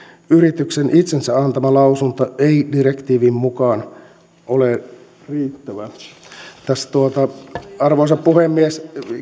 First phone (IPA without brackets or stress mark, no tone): y